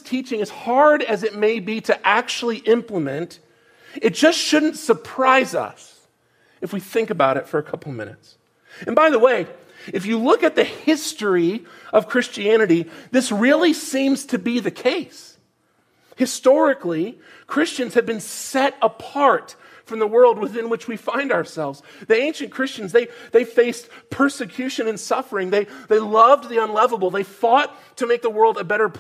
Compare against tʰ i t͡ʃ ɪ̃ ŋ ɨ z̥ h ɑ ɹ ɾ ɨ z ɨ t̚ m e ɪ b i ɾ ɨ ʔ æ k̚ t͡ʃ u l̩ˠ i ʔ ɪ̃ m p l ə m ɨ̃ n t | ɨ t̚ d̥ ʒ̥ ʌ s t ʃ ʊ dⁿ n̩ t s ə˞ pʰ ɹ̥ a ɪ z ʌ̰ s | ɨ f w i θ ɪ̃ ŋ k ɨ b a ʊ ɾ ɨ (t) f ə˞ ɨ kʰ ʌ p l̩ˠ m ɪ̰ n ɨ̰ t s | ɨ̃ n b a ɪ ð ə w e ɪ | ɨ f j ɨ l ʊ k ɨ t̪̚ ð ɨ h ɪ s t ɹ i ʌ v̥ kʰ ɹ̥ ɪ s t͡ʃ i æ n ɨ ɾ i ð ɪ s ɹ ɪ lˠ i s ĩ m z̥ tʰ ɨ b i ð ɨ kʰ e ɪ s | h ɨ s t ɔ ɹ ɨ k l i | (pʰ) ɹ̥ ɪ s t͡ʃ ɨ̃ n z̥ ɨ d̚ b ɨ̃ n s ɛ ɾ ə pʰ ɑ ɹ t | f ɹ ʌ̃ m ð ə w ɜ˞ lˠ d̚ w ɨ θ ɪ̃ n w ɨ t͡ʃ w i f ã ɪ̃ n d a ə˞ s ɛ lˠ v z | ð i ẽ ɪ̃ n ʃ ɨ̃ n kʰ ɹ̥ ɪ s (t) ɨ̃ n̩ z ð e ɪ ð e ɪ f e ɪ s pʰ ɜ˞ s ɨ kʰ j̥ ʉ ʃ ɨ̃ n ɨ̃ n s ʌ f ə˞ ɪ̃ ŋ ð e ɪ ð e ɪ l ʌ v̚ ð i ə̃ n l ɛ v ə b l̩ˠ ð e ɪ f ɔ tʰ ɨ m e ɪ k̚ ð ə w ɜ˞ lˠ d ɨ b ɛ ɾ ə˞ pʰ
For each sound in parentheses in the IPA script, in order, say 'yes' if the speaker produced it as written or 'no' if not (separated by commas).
yes, no, no